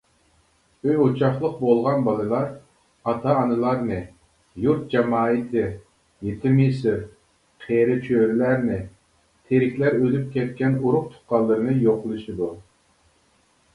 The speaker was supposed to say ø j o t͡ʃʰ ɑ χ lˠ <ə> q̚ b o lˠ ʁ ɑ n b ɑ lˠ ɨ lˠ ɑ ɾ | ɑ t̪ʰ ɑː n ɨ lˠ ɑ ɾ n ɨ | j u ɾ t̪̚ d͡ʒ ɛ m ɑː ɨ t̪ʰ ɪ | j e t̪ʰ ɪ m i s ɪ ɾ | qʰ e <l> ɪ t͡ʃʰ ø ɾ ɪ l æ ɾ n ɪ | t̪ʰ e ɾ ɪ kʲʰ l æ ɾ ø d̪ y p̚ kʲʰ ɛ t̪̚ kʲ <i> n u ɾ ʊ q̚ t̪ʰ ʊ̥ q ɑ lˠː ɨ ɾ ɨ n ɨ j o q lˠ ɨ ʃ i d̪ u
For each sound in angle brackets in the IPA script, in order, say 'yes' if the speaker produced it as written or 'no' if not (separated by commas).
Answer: yes, no, no